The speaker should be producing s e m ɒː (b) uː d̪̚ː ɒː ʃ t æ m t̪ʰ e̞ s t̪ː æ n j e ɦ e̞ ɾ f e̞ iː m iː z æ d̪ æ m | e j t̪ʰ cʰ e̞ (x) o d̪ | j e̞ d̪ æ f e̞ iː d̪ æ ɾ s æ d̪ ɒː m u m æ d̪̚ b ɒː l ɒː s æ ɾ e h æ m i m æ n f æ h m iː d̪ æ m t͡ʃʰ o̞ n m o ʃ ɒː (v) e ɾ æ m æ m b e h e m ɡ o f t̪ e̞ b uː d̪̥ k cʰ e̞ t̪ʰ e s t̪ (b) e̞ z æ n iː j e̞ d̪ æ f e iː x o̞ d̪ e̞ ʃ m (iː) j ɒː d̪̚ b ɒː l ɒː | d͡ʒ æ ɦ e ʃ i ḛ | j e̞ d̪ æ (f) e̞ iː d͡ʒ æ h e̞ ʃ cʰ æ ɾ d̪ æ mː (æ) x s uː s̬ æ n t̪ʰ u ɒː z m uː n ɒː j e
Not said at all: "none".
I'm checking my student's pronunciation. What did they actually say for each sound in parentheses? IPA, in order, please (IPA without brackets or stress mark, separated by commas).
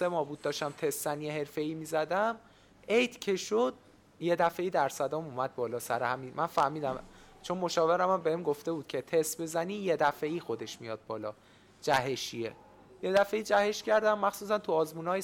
b, ʃ, v, b, i, f, æ